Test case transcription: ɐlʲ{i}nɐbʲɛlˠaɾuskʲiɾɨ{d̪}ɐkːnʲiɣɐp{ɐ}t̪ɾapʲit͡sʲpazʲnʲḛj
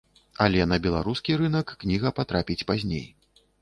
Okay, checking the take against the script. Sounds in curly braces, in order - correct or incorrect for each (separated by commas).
incorrect, incorrect, incorrect